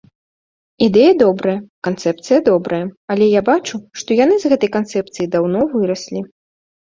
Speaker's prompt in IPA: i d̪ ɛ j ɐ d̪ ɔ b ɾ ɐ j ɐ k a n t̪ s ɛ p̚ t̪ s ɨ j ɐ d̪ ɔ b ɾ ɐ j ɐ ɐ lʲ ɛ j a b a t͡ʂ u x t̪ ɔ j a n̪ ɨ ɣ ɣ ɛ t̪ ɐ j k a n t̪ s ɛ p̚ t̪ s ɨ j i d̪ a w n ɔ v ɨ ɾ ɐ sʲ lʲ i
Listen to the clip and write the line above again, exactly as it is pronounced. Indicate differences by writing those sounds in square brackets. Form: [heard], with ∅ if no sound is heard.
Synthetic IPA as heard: i d̪ ɛ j ɐ d̪ ɔ b ɾ ɐ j ɐ k a n t̪ s ɛ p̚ t̪ s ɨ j ɐ d̪ ɔ b ɾ ɐ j ɐ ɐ lʲ ɛ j a b a t͡ʂ u [ʂ] t̪ ɔ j a n̪ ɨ [z] ɣ ɛ t̪ ɐ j k a n t̪ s ɛ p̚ t̪ s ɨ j i d̪ a w n ɔ v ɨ ɾ ɐ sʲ lʲ i